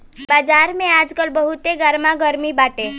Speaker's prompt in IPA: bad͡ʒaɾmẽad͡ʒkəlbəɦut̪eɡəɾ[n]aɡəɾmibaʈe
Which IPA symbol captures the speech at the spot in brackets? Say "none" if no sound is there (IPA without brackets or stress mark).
m